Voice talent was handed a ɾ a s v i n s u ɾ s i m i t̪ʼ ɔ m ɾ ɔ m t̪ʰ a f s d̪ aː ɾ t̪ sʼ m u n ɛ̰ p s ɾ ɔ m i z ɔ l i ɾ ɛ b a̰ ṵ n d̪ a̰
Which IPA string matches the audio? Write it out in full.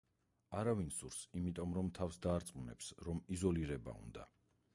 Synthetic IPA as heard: a ɾ a v i n s u ɾ s i m i t̪ʼ ɔ m ɾ ɔ m t̪ʰ a f s d̪ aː ɾ t̪ sʼ m u n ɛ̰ p s ɾ ɔ m i z ɔ l i ɾ ɛ b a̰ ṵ n d̪ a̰

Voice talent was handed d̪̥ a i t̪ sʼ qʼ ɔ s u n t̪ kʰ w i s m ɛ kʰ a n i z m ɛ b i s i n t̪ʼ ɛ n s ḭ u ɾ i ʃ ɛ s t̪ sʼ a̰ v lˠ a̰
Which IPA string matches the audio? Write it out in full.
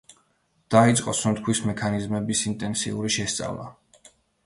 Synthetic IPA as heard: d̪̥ a i t̪ sʼ qʼ ɔ s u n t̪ kʰ w i s m ɛ kʰ a n i z m ɛ b i s i n t̪ʼ ɛ n s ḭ u ɾ i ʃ ɛ s t̪ sʼ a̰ v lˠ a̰

